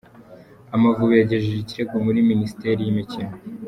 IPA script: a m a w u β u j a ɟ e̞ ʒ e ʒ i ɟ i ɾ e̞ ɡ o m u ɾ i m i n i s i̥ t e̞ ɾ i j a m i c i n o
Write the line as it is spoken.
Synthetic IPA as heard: a m a v u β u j a ɟ e̞ ʒ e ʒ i c i ɾ e̞ ɡ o m u ɾ i m i n i s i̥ t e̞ ɾ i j i m i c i n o